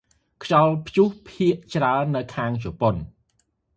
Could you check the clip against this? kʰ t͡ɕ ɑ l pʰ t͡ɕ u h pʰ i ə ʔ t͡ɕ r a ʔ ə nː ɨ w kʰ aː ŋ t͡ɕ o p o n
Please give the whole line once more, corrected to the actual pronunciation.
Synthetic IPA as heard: kʰ t͡ɕ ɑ l pʰ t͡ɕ u h pʰ i ə ʔ t͡ɕ r a ə nː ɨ w kʰ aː ŋ t͡ɕ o p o n